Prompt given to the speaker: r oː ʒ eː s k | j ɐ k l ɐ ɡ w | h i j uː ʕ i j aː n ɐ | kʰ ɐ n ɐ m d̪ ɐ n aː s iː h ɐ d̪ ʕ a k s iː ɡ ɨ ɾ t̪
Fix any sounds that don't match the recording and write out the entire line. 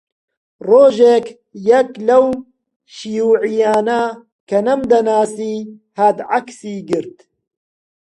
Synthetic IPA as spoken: r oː ʒ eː k | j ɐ k l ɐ w | ʃ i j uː ʕ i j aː n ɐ | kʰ ɐ n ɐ m d̪ ɐ n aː s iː h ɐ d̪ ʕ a k s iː ɡ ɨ ɾ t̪